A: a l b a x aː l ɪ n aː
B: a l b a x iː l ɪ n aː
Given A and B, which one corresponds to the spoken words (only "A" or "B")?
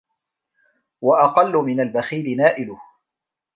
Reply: B